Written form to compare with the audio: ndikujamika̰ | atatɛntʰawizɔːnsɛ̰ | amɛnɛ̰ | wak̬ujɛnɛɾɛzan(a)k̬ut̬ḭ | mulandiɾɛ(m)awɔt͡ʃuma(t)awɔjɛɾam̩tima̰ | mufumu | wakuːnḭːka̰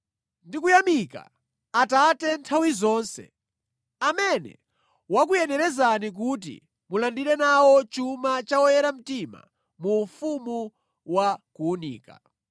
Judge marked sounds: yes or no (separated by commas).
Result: no, no, no